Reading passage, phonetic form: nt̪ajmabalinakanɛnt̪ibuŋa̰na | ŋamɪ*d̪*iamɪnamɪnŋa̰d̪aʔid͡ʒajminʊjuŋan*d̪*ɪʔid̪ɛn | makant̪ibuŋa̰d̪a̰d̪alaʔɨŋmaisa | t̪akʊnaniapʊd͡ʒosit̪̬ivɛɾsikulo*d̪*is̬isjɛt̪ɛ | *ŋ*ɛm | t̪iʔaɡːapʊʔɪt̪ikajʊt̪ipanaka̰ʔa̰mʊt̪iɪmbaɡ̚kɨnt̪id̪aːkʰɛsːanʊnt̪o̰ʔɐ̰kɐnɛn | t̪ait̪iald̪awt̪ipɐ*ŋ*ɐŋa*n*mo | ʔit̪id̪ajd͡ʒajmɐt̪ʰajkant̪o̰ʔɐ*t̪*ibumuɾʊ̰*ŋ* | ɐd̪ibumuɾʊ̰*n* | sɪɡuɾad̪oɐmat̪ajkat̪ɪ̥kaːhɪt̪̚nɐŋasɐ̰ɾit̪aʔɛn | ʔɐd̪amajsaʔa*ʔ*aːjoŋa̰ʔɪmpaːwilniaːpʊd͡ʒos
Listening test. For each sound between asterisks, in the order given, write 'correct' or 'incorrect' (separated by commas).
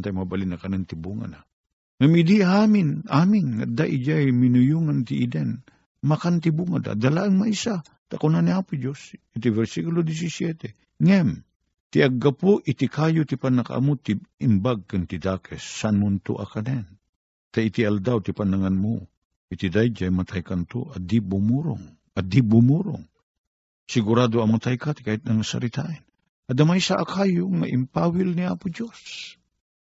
correct, incorrect, correct, correct, incorrect, correct, incorrect, correct, incorrect, incorrect